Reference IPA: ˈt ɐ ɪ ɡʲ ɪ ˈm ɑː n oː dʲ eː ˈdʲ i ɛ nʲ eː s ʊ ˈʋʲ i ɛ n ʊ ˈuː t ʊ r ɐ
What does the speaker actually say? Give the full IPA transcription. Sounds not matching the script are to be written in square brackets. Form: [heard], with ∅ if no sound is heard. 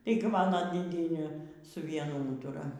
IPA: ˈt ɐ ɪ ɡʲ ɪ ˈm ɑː n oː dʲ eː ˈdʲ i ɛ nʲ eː s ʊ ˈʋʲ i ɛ n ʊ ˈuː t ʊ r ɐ